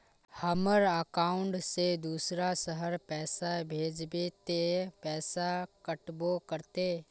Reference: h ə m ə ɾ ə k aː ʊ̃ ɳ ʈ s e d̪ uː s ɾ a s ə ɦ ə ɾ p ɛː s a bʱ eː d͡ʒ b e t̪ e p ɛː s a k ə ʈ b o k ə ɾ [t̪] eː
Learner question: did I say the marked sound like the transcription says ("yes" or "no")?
yes